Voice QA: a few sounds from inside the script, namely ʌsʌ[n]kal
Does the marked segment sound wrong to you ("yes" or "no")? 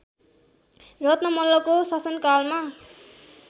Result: no